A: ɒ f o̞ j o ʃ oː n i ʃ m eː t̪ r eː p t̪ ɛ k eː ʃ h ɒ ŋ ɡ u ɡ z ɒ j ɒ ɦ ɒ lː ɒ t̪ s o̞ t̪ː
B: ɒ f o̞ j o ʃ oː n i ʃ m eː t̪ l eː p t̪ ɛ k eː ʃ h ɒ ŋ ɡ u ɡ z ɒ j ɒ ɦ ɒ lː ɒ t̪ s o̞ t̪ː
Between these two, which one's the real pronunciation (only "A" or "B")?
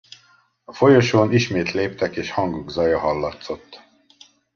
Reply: B